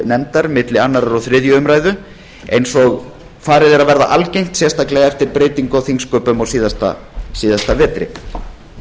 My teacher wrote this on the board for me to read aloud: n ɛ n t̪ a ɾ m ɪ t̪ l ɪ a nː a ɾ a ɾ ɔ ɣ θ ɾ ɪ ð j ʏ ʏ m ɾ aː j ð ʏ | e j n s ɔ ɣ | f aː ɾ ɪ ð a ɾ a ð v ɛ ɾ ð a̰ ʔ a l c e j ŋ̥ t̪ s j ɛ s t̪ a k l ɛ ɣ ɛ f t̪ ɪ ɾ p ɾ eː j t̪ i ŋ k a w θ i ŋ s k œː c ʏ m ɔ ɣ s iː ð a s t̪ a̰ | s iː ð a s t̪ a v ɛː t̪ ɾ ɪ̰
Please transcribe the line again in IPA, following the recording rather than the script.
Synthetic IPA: n ɛ n t̪ a ɾ m ɪ t̪ l ɪ a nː a ɾ a ɾ ɔ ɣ θ ɾ ɪ ð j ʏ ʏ m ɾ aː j ð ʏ | e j n s ɔ ɣ | f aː ɾ ɪ ð ɛ ɾ a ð v ɛ ɾ ð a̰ ʔ a l c e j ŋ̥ t̪ s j ɛ s t̪ a k l ɛ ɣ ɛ f t̪ ɪ ɾ p ɾ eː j t̪ i ŋ k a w θ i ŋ s k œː p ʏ m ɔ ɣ s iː ð a s t̪ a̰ | s iː ð a s t̪ a v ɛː t̪ ɾ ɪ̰